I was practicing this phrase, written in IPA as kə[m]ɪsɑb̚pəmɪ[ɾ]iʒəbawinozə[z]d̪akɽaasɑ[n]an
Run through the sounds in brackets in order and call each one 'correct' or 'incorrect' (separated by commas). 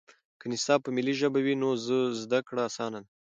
incorrect, incorrect, correct, correct